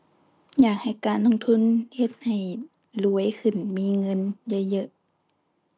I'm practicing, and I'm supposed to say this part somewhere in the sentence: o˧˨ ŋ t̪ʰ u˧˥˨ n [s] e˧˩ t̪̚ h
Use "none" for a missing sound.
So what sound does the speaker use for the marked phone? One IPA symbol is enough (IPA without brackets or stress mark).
h